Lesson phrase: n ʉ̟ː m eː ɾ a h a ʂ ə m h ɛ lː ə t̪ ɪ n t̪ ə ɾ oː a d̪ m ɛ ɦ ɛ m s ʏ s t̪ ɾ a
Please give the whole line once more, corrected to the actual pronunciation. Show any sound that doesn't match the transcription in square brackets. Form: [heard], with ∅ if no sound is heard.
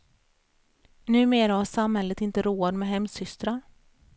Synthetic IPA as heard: n ʉ̟ː m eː ɾ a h a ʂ [a] m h ɛ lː ə t̪ ɪ n t̪ ə ɾ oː a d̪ m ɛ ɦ ɛ m s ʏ s t̪ ɾ a